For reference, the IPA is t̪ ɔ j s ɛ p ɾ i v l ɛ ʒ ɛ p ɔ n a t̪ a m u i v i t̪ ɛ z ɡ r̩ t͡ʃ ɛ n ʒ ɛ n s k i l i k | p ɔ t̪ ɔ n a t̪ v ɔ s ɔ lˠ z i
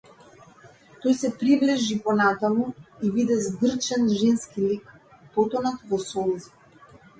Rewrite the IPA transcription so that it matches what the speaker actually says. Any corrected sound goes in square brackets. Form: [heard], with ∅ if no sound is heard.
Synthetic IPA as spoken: t̪ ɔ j s ɛ p ɾ i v l ɛ ʒ [i] p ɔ n a t̪ a m u i v i [d̪] ɛ z ɡ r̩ t͡ʃ ɛ n ʒ ɛ n s k i l i k | p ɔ t̪ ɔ n a t̪ v ɔ s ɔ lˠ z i